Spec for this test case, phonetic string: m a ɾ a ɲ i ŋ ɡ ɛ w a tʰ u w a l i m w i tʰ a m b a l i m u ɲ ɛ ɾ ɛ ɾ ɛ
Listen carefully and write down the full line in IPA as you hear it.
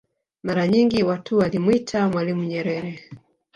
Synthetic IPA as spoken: m a ɾ a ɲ i ŋ ɡ i w a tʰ u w a l i m w i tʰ a m w a l i m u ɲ ɛ ɾ ɛ ɾ ɛ

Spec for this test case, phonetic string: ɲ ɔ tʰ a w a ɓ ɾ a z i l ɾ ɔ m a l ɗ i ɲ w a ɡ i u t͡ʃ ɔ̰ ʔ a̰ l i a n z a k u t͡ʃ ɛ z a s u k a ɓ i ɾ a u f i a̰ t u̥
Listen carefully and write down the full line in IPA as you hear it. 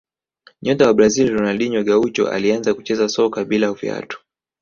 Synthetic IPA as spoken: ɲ ɔ t a w a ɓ ɾ a z i l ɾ ɔ n a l ɗ i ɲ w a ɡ a u t͡ʃ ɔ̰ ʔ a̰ l i a n z a k u t͡ʃ ɛ z a s ɔ k a ɓ i l a u f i a̰ t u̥

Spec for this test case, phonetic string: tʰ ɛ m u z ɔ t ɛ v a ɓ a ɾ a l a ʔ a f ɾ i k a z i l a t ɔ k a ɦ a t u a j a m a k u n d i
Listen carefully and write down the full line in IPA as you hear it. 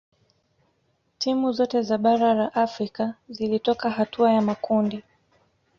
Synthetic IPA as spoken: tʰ i m u z ɔ t ɛ z a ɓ a ɾ a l a ʔ a f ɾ i k a z i l i t ɔ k a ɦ a t u a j a m a k u n d i

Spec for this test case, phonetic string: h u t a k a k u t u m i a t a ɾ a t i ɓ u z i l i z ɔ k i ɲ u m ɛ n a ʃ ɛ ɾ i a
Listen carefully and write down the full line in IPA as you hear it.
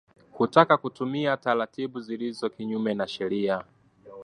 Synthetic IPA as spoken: h u t a k a k u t u m i a t a ɾ a t i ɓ u z i l i z ɔ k i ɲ u m ɛ n a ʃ ɛ ɾ i a

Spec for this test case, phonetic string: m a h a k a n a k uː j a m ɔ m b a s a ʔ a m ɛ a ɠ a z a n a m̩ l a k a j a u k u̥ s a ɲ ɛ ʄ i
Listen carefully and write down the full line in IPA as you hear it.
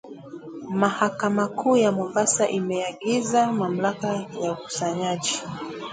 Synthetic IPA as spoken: m a h a k a m a k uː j a m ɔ m b a s a ʔ i m ɛ a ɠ i z a m a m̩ l a k a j a u k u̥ s a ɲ a ʄ i

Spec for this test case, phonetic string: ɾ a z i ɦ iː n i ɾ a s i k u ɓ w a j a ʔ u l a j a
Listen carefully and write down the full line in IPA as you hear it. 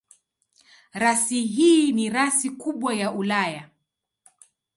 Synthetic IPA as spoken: ɾ a s i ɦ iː n i ɾ a s i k u ɓ w a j a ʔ u l a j a

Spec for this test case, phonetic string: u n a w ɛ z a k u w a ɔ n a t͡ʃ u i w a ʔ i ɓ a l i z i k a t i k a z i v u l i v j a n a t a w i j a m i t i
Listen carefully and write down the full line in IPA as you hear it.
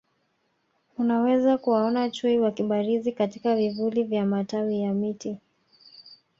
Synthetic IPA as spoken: u n a w ɛ z a k u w a ɔ n a t͡ʃ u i w a k i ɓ a ɾ i z i k a t i k a v i v u l i v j a m a t a w i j a m i t i

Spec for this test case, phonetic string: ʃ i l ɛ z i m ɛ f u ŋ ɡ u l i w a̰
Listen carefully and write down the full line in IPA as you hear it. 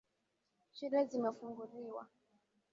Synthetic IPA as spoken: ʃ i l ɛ z i m ɛ f u ŋ ɡ u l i w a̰

